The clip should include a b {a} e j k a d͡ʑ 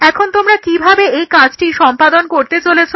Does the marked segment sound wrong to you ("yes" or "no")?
yes